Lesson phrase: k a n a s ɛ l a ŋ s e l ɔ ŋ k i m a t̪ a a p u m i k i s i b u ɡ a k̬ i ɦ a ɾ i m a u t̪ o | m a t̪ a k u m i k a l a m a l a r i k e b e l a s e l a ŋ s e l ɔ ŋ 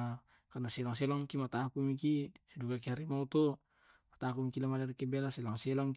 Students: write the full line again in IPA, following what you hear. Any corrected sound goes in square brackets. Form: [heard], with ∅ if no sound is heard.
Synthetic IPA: k a n a s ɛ l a ŋ s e l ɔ ŋ k i m a t̪ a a [k] u m i k i s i [d] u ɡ a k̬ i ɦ a ɾ i m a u t̪ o | m a t̪ a k u m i k [i] l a m a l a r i k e b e l a s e l a ŋ s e l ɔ ŋ